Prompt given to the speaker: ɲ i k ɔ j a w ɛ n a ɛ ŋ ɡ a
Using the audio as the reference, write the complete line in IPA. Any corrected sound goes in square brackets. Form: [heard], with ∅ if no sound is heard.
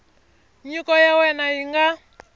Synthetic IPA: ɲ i k ɔ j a w ɛ n a [i] ŋ ɡ a